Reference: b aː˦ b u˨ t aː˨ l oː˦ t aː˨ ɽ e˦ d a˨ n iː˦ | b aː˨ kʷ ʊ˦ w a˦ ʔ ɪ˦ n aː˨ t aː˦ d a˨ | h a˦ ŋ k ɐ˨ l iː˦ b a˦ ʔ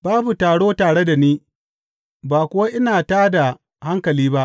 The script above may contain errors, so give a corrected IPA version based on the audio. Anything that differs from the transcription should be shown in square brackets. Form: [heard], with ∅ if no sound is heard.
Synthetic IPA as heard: b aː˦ b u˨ t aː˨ [ɽ] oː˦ t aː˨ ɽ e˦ d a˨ n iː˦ | b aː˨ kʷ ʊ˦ w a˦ ʔ ɪ˦ n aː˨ t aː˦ d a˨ | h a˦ ŋ k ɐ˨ l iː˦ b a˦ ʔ